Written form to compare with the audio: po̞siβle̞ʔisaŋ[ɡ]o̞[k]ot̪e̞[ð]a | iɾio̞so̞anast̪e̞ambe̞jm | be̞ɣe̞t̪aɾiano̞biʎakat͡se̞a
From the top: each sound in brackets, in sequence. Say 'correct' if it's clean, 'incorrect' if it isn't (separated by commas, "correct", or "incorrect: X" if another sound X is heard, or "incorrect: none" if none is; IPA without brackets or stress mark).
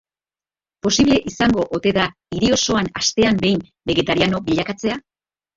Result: correct, incorrect: ʔ, correct